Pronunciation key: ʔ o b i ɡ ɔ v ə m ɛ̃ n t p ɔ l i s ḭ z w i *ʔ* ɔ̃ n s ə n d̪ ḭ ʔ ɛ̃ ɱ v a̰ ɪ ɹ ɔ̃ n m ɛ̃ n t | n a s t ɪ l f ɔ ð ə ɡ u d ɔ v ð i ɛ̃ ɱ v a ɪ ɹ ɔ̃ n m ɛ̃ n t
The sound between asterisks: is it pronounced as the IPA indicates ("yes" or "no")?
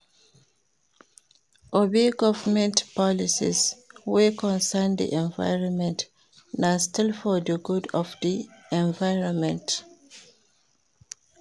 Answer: no